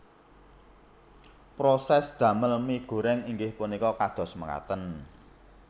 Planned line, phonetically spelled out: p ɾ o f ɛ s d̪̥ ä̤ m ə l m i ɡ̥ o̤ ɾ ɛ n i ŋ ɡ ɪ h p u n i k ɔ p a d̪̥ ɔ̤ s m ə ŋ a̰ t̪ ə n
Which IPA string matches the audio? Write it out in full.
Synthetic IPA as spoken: p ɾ o s ɛ s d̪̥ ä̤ m ə l m i ɡ̥ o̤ ɾ ɛ ŋ i ŋ ɡ ɪ h p u n i k ɔ k a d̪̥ ɔ̤ s m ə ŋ a̰ t̪ ə n